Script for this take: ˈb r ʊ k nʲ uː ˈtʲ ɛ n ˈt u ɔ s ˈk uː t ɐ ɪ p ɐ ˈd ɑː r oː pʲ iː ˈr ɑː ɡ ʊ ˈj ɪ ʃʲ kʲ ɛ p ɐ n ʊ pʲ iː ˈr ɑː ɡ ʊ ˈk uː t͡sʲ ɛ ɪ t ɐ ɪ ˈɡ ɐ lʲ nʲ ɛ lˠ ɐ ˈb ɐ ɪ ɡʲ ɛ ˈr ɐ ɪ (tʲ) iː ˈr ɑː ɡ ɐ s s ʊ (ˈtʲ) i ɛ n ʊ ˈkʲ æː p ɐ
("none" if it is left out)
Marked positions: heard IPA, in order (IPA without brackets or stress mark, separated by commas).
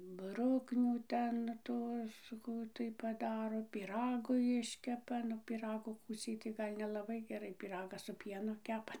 pʲ, pʲ